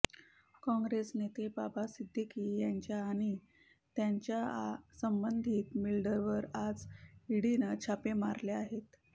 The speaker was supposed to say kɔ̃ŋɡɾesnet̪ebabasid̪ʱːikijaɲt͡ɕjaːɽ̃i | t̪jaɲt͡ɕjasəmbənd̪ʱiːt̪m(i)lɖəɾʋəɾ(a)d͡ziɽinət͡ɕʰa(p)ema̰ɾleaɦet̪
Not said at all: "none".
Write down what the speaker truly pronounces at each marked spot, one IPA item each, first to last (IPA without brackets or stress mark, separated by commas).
i, a, p